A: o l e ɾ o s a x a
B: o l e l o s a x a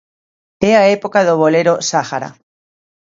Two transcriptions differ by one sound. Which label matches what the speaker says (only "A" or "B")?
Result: A